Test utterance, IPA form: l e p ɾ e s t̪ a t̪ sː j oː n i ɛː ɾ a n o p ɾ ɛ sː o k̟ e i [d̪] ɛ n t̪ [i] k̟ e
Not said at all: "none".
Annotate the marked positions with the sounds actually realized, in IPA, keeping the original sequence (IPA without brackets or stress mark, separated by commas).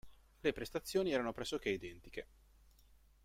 d̪, i